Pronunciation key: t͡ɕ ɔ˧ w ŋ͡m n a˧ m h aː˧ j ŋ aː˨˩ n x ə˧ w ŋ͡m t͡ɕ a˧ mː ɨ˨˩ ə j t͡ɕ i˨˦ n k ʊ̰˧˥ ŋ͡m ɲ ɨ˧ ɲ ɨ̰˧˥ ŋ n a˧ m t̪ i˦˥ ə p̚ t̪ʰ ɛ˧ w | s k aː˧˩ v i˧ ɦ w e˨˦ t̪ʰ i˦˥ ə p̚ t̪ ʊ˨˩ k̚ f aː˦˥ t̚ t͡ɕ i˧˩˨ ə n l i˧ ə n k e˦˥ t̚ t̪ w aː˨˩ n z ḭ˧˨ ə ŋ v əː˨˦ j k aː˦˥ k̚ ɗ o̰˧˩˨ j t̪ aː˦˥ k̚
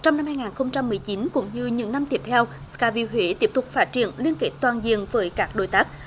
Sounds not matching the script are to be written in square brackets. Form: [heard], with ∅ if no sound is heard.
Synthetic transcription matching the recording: t͡ɕ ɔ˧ w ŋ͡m n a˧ m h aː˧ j ŋ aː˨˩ n x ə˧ w ŋ͡m t͡ɕ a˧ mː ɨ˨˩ ə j t͡ɕ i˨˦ n k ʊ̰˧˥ ŋ͡m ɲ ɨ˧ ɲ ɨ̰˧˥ ŋ n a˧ m t̪ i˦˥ ə p̚ t̪ʰ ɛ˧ w | s k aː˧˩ v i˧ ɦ w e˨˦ [t̪] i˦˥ ə p̚ t̪ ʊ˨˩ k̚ f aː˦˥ t̚ t͡ɕ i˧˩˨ ə n l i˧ ə n k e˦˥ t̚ t̪ w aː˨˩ n z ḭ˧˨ ə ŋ v əː˨˦ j k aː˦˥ k̚ ɗ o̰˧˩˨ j t̪ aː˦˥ k̚